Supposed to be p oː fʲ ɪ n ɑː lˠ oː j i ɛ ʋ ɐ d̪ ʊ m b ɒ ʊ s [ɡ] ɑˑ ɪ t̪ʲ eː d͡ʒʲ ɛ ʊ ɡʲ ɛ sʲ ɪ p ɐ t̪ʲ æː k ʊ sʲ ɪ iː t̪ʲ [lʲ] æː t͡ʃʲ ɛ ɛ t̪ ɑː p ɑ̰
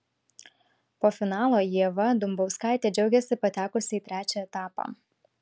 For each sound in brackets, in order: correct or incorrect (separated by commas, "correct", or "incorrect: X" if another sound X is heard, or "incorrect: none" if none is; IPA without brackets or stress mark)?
incorrect: k, incorrect: ɾʲ